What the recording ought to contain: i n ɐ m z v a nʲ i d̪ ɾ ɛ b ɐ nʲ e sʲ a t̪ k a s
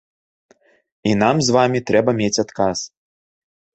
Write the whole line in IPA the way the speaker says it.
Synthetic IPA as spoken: i n a m z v a mʲ i t̪ ɾ ɛ b ɐ mʲ e t͡sʲ a t̪ k a s